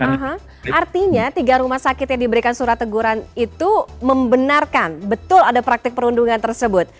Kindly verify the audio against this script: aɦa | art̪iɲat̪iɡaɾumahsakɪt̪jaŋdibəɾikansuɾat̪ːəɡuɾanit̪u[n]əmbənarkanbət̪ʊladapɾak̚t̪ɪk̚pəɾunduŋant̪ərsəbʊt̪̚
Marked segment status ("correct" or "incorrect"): incorrect